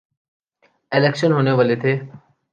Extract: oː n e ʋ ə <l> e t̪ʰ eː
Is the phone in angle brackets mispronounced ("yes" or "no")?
no